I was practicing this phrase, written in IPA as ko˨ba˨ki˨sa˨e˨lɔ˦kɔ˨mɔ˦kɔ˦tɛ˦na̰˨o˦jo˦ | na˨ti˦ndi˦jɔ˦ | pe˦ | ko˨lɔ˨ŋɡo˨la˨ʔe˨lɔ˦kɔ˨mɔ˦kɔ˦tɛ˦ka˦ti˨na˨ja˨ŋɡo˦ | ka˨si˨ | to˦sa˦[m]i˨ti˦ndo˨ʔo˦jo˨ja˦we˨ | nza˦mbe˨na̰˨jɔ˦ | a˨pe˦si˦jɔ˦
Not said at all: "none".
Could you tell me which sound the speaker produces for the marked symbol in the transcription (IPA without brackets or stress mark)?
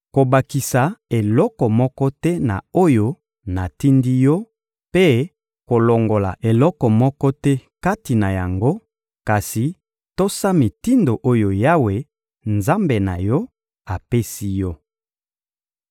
m